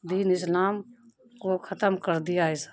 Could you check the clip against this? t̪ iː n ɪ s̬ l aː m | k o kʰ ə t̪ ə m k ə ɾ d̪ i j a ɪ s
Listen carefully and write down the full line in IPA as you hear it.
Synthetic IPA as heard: d̪ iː n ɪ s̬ l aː m | k o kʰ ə t̪ ə m k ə ɾ d̪ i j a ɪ s